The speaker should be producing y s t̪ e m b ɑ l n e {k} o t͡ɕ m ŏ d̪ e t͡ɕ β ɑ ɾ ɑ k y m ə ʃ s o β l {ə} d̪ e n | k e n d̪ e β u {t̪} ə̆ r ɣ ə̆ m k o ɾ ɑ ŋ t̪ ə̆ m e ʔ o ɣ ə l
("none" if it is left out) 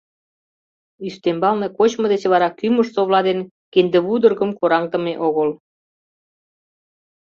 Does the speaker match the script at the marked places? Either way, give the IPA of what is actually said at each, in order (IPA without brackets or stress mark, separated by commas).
k, ɑ, d̪